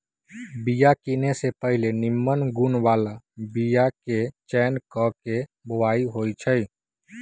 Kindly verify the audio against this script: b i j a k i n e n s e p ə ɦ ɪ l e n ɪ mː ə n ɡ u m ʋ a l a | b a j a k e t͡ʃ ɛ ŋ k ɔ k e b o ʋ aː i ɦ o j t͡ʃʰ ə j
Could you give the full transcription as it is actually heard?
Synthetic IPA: b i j a k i n e s e p ə ɦ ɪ l e n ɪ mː ə n ɡ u n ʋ a l a | b i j a k e t͡ʃ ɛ n k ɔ k e b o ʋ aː i ɦ o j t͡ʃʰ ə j